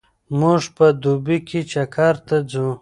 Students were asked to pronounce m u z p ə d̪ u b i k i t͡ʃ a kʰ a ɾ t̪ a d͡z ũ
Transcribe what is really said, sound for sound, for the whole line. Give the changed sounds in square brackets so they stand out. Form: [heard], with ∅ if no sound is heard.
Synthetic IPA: m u [ʐ] p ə d̪ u b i k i t͡ʃ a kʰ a ɾ t̪ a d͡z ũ

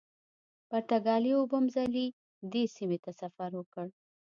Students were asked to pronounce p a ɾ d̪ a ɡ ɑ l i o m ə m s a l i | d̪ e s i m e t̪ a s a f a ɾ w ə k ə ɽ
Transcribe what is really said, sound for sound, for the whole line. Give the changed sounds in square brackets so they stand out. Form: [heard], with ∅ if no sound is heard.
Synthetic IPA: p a ɾ [t̪] a ɡ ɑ l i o [b] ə m [z] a l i | d̪ e s i m e t̪ a s a f a ɾ w ə k ə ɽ

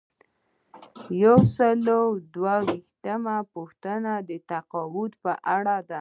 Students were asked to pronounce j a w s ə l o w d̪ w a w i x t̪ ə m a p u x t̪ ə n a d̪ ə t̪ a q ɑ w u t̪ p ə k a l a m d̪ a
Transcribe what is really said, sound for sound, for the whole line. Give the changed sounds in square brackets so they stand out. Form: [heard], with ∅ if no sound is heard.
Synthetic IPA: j a w s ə l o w d̪ w a w i x t̪ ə m a p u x t̪ ə n a d̪ ə t̪ a q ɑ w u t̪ p ə [ʔ] a [ɽ] a [∅] d̪ a

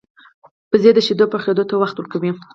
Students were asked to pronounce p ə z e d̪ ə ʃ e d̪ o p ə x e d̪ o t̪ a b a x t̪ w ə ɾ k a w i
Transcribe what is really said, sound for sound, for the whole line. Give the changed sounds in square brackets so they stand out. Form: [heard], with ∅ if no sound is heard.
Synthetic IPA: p ə z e d̪ ə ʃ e d̪ o p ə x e d̪ o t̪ a [w] a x t̪ w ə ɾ k a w i

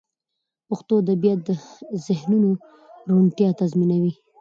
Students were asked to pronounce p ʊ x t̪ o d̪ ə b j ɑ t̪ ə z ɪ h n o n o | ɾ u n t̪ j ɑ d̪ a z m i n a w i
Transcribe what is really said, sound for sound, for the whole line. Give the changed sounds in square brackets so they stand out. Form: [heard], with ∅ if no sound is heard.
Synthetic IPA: p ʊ x t̪ o d̪ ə b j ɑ [d̪] ə z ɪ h n [u] n o | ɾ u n t̪ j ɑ [t̪] a z m i n a w i

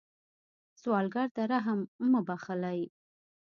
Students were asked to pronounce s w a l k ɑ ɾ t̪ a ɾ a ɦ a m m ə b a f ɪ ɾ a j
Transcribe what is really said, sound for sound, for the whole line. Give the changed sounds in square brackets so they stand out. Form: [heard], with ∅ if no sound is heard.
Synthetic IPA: s w [ɑ] l [ɡ] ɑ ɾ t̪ a ɾ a ɦ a m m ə b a [x] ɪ [l] a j

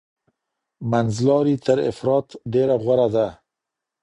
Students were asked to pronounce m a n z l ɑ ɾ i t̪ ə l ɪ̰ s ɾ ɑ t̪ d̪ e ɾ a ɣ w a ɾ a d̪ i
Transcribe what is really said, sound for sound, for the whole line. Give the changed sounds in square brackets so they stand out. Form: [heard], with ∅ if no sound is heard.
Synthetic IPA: m a n z l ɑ ɾ i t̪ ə [ɾ] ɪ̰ [f] ɾ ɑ t̪ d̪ e ɾ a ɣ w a ɾ a d̪ [a]

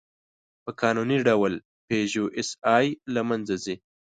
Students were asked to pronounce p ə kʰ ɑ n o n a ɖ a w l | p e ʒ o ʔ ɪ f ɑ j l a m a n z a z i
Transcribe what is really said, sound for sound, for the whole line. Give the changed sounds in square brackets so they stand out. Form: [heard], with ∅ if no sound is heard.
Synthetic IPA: p ə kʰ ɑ n [u] n [i] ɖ a w l | p e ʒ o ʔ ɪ [s] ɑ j l a m a n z a z i

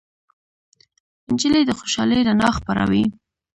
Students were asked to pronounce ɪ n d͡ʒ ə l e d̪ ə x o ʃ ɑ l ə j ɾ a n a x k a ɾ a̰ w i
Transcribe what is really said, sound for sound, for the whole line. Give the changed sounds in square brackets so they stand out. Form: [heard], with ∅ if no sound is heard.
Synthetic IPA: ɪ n d͡ʒ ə l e d̪ ə x o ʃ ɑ l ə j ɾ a n [ɑ] x [p] a ɾ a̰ w i

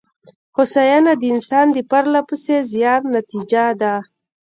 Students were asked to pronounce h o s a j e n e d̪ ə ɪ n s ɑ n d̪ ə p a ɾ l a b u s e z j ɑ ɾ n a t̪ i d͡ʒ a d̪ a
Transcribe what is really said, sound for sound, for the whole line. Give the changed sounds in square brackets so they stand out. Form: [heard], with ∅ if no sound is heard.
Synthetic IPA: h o s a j [a] n [a] d̪ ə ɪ n s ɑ n d̪ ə p a ɾ l a [p] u s e z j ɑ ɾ n a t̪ i d͡ʒ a d̪ a

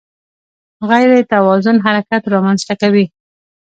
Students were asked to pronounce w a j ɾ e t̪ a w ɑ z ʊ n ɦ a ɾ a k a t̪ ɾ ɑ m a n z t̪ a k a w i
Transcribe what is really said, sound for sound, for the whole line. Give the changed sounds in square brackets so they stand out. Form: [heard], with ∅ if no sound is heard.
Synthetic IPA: [ɣ] a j ɾ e t̪ a w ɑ z ʊ n ɦ a ɾ a k a t̪ ɾ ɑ m a n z t̪ a k a w i

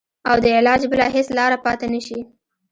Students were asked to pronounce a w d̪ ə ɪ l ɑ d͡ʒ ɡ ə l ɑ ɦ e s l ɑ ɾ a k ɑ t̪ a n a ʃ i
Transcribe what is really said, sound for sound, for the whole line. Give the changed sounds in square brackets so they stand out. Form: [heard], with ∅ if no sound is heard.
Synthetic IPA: a w d̪ ə ɪ l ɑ d͡ʒ [b] ə l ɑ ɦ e s l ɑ ɾ a [p] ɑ t̪ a n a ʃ i

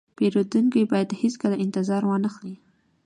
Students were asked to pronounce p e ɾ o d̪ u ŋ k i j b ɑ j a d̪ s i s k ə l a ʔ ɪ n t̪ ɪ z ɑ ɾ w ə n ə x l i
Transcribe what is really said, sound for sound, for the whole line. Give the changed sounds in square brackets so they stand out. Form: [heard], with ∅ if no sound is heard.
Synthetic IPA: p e ɾ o d̪ u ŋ k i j b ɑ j a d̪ [h] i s k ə l a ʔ ɪ n t̪ ɪ z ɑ ɾ w [ɑ] n ə x l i

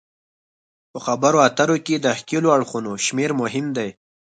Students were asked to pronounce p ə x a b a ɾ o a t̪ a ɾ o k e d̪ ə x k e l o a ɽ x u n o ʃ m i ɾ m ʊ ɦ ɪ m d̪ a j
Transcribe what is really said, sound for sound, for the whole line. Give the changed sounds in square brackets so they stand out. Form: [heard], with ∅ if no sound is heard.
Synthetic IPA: p ə x a b a ɾ o a t̪ a ɾ o k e d̪ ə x k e l o a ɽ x u n o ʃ m [e] ɾ m ʊ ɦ ɪ m d̪ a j

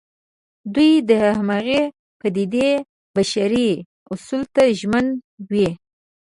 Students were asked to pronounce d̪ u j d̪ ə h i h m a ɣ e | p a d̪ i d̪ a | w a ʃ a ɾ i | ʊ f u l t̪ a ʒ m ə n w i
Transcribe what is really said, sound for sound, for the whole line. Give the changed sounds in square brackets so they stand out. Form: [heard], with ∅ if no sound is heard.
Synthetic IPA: d̪ u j d̪ ə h [a] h m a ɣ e | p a d̪ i d̪ [e] | [b] a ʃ a ɾ i | ʊ [s] u l t̪ a ʒ m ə n w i

